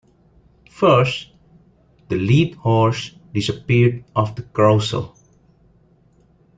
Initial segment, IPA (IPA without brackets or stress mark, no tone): f